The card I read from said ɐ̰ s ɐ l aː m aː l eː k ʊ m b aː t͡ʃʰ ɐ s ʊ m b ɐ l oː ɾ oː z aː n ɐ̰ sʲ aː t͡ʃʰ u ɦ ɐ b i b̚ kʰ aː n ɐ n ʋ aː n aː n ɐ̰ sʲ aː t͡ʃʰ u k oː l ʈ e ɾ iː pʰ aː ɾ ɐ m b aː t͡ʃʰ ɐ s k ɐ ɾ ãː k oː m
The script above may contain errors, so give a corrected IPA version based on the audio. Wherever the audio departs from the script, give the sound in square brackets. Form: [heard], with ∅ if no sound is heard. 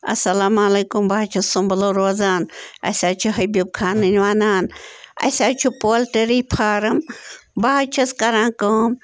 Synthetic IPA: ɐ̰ s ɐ l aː m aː l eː k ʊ m b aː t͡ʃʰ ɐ s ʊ m b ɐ l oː ɾ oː z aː n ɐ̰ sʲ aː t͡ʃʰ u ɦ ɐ b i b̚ kʰ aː n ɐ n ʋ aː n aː n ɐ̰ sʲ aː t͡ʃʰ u [p] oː l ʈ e ɾ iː pʰ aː ɾ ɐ m b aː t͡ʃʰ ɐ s k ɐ ɾ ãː k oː m

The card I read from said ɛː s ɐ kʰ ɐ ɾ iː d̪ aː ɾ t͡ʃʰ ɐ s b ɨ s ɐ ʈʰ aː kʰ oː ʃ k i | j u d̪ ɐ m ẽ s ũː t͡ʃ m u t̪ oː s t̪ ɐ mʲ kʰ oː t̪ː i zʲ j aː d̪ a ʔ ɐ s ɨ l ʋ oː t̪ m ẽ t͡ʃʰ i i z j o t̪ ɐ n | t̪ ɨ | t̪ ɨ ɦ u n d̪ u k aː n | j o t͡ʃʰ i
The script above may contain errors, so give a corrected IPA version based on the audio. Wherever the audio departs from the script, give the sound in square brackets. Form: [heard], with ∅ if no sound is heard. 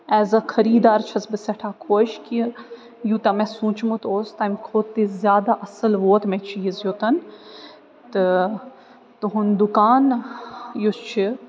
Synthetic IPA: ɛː [z] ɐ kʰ ɐ ɾ iː d̪ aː ɾ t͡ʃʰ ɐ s b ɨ s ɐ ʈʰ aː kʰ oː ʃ k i | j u [t̪] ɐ m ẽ s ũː t͡ʃ m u t̪ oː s t̪ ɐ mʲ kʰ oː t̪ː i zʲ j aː d̪ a ʔ ɐ s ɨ l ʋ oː t̪ m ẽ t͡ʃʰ i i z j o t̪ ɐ n | t̪ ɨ | t̪ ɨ ɦ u n d̪ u k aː n | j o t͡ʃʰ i

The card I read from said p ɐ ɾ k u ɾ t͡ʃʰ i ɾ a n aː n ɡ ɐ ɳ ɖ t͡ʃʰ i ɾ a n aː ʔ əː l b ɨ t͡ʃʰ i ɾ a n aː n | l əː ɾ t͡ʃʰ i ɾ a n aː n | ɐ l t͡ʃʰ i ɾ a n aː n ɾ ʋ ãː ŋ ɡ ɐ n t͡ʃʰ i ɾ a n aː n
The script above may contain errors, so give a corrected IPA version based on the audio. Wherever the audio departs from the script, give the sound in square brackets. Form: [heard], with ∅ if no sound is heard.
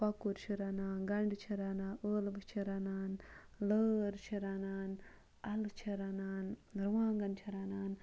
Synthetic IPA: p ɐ [∅] k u ɾ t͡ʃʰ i ɾ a n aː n ɡ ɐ ɳ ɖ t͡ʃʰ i ɾ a n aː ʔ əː l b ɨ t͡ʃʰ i ɾ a n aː n | l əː ɾ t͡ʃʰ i ɾ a n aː n | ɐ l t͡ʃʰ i ɾ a n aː n ɾ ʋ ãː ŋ ɡ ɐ n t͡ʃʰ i ɾ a n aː n

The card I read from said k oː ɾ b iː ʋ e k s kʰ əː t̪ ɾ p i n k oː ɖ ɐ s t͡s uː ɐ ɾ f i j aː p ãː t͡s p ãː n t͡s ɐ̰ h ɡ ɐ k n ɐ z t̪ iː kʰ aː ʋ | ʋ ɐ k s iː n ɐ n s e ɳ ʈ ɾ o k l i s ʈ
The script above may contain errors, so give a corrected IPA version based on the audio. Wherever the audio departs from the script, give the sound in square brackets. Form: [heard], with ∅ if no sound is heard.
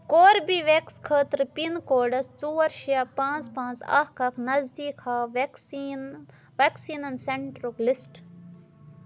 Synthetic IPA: k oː ɾ b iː ʋ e k s kʰ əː t̪ ɾ p i n k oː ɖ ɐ s t͡s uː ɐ ɾ [ʃ] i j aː p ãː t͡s p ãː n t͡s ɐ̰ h [k] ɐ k n ɐ z [d̪] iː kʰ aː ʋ | ʋ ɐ k s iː n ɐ n s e ɳ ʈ ɾ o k l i s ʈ

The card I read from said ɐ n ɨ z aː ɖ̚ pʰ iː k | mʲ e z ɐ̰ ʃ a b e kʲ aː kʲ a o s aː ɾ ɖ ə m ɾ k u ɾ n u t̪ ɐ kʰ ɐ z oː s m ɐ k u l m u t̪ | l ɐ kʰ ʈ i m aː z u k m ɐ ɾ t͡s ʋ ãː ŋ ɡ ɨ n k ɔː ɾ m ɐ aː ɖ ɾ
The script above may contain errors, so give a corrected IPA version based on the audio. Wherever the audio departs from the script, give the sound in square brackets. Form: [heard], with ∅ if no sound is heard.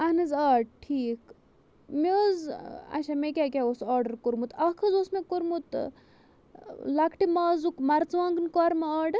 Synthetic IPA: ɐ n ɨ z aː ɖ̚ [ʈʰ] iː k | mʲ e z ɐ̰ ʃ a [m] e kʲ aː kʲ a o s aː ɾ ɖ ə [∅] ɾ k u ɾ [m] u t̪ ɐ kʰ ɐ z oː s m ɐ k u [ɾ] m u t̪ | l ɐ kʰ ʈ i m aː z u k m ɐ ɾ t͡s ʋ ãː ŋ ɡ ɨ n k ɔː ɾ m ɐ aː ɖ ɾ

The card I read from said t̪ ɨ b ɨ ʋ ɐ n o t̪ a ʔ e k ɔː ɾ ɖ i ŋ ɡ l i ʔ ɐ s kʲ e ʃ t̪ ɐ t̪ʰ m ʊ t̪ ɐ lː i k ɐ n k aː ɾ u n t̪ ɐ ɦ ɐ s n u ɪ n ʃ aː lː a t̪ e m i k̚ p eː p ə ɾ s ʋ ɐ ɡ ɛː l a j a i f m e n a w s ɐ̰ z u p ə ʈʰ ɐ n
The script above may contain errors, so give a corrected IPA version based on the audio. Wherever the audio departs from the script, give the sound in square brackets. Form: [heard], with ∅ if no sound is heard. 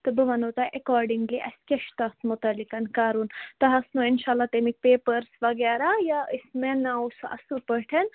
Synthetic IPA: t̪ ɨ b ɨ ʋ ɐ n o t̪ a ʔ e k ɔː ɾ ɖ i ŋ ɡ l i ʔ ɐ s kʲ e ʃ t̪ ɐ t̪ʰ m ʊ t̪ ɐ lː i k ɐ n k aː ɾ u n t̪ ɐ ɦ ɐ s n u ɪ n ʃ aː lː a t̪ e m i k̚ p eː p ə ɾ s ʋ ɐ ɡ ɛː [ɾ] a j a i [s] m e n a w s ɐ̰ [s] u p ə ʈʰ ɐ n

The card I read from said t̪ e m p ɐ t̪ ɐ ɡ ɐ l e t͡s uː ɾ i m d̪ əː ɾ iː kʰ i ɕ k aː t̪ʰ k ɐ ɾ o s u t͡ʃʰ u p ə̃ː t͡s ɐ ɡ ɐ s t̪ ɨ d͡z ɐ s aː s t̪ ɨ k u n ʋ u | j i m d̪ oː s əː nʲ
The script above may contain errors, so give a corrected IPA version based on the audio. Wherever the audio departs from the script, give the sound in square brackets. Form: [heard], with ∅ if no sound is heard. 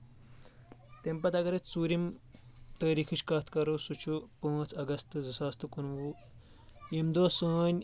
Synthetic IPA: t̪ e m p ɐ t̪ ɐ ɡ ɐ [ɾ] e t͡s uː ɾ i m [t̪] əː ɾ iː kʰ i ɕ k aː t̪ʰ k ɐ ɾ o s u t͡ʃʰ u p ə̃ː t͡s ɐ ɡ ɐ s t̪ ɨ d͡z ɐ s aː s t̪ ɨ k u n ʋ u | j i m d̪ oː s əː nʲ

